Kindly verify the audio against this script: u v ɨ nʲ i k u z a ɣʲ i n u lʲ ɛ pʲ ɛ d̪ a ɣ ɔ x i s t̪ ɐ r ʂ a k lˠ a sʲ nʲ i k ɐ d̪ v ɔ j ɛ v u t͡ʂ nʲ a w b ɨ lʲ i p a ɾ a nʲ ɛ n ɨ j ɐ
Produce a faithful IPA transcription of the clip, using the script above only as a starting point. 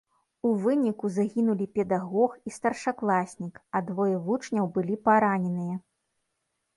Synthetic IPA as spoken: u v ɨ nʲ i k u z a ɣʲ i n u lʲ i pʲ ɛ d̪ a ɣ ɔ x i s t̪ ɐ r ʂ a k lˠ a sʲ nʲ i k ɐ d̪ v ɔ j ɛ v u t͡ʂ nʲ ɐ w b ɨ lʲ i p a ɾ a nʲ ɛ n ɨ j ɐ